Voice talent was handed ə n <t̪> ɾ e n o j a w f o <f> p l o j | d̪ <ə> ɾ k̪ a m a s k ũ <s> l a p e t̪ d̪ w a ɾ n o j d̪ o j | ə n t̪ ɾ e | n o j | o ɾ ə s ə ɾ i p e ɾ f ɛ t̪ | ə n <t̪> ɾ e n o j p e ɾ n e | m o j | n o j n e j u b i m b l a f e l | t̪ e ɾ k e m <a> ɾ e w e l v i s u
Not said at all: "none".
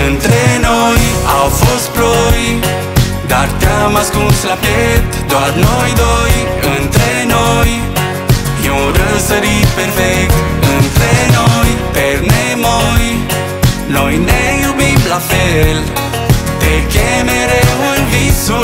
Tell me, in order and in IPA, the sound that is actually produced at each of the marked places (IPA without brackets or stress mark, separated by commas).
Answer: t̪, s, a, s, t̪, e